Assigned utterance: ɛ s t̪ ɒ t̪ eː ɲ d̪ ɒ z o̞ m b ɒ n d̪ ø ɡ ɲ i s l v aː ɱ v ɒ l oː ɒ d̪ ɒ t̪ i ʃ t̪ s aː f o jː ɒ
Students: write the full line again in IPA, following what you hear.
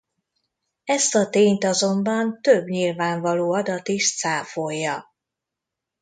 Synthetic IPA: ɛ s t̪ ɒ t̪ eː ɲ t̪ ɒ z o̞ m b ɒ n t̪ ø b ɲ i l v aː ɱ v ɒ l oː ɒ d̪ ɒ t̪ i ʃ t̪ s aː f o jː ɒ